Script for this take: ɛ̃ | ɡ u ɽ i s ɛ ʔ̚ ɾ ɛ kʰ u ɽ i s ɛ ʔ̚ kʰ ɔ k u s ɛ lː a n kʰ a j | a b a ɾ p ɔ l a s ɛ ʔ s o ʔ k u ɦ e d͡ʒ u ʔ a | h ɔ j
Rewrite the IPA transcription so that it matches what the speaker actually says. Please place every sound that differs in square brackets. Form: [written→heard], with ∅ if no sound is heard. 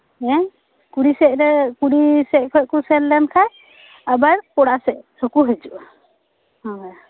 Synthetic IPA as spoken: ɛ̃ | [ɡ→k] u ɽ i s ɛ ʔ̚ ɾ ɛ [kʰ→k] u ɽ i s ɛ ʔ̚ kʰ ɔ k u s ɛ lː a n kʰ a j | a b a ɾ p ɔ [l→ɽ] a s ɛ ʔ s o [ʔ→∅] k u ɦ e d͡ʒ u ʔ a | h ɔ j